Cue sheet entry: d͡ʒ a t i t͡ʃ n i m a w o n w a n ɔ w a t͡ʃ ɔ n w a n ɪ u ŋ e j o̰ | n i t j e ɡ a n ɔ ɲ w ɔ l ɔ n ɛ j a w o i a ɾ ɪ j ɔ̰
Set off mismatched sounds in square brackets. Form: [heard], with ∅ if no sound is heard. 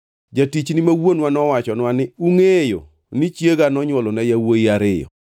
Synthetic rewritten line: d͡ʒ a t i t͡ʃ n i m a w o n w a n ɔ w a t͡ʃ ɔ n w a n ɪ u ŋ e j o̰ | n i [t͡ʃ] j e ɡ a n ɔ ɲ w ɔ l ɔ n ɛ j a w o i a ɾ ɪ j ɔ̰